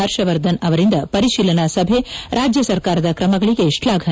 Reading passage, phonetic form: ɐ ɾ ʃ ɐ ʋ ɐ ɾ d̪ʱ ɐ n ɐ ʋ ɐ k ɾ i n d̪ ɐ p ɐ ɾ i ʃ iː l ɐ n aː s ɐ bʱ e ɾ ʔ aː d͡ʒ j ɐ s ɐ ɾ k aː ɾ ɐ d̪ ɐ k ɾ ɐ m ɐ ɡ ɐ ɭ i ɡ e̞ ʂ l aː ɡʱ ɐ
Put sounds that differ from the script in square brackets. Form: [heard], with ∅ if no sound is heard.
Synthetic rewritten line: ɐ ɾ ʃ ɐ ʋ ɐ ɾ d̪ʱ ɐ n ɐ ʋ ɐ [∅] ɾ i n d̪ ɐ p ɐ ɾ i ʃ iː l ɐ n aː s ɐ bʱ e ɾ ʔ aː d͡ʒ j ɐ s ɐ ɾ k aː ɾ ɐ d̪ ɐ k ɾ ɐ m ɐ ɡ ɐ ɭ i ɡ e̞ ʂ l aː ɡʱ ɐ